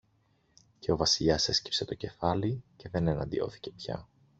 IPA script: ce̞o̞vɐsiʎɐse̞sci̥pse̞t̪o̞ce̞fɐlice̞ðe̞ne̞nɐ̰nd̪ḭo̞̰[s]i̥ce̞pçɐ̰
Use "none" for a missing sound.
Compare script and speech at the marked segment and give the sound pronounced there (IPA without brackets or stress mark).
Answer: θ